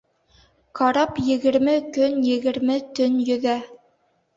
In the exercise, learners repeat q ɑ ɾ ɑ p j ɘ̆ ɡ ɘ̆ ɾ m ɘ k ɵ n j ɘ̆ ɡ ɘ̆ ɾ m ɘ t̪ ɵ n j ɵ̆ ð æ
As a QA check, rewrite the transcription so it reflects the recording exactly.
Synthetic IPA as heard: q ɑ ɾ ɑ p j ɘ̆ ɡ ɘ̆ ɾ m ɘ k ɵ n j ɘ̆ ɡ ɘ̆ ɾ m ɘ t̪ ɵ n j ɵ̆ ð æ